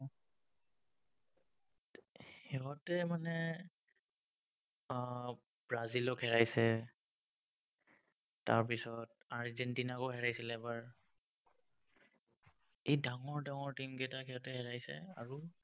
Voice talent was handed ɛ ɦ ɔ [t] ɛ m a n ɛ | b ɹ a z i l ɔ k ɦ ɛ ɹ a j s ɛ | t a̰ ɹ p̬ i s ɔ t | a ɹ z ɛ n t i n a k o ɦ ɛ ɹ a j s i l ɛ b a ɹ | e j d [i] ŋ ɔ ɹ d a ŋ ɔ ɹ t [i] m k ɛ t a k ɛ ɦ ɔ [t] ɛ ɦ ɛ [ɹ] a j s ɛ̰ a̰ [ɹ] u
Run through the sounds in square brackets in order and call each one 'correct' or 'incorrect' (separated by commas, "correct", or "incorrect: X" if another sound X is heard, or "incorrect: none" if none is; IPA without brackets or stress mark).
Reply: correct, incorrect: a, correct, correct, correct, correct